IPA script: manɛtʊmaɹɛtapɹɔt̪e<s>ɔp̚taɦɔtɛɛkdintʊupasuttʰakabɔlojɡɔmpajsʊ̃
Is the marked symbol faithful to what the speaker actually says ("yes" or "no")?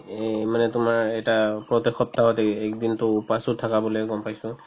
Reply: no